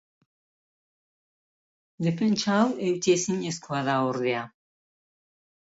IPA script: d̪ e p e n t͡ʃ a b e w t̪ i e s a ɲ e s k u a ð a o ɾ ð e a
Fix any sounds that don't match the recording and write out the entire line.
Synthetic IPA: d̪ e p e n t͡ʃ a w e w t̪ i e s i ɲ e s k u a ð a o ɾ ð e a